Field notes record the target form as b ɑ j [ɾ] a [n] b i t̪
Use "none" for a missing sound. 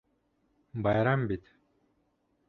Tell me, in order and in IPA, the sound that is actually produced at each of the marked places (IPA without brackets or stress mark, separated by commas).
ɾ, m